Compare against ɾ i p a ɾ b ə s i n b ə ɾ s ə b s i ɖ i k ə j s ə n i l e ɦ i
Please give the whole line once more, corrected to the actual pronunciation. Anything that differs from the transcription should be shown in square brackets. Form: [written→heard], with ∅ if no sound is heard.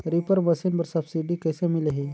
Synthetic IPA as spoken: ɾ i p [a→ə] ɾ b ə s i n b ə ɾ s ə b s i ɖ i k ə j s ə [n→m] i l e ɦ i